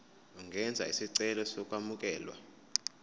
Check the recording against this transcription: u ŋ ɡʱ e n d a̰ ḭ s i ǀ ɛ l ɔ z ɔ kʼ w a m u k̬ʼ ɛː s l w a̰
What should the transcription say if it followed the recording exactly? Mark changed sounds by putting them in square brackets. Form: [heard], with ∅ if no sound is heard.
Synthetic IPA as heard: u ŋ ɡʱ [ɛ] n [d͡zʱ] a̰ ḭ s i ǀ ɛ l ɔ [s] ɔ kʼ w a m u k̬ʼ ɛː [∅] l w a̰